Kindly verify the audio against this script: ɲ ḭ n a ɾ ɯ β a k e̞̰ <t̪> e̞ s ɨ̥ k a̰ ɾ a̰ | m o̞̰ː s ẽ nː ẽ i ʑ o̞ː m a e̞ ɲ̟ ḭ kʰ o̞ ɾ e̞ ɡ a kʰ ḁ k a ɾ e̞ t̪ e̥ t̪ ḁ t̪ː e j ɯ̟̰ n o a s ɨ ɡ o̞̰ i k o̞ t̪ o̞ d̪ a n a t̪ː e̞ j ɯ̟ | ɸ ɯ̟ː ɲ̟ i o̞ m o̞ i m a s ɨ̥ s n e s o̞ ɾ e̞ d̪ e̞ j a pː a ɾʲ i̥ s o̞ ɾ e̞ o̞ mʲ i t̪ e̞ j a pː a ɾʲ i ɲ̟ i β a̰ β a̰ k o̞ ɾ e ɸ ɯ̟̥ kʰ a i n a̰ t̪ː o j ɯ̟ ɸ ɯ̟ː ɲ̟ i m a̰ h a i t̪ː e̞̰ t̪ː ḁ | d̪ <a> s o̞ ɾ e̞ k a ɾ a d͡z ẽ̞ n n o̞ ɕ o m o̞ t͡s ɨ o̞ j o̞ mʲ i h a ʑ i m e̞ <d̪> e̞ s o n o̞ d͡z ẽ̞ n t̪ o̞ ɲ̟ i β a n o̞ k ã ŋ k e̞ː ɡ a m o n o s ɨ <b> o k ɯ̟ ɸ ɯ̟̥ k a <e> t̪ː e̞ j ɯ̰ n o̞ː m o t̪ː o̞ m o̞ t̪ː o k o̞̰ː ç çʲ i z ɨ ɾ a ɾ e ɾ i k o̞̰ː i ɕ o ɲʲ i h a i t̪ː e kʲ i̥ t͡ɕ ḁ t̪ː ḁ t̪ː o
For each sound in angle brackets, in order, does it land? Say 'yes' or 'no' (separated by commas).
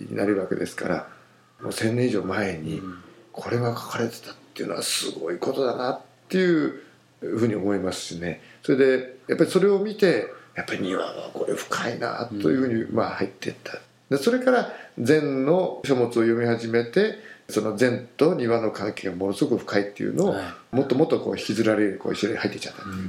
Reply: no, no, no, no, no